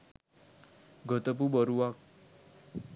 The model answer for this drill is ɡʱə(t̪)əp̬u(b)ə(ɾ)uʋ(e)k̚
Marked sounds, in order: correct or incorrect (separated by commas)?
correct, correct, correct, incorrect